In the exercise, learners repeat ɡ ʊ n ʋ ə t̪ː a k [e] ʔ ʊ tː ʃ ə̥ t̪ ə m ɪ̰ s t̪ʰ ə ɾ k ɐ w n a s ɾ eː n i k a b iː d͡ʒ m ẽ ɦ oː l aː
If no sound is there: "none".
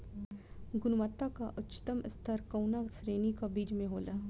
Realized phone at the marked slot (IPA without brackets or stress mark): a